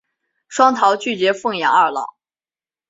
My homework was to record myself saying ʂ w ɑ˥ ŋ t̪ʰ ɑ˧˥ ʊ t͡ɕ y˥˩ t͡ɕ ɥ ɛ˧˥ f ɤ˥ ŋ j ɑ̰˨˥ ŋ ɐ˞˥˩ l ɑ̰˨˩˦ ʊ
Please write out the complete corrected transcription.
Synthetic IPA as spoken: ʂ w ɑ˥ ŋ t̪ʰ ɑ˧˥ ʊ t͡ɕ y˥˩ t͡ɕ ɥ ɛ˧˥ f ɤ˥˩ ŋ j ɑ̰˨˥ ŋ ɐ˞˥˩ l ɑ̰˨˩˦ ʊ